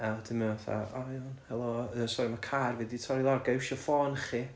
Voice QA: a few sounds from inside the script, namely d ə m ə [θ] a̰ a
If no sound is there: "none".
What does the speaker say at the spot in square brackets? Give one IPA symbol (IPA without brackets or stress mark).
θ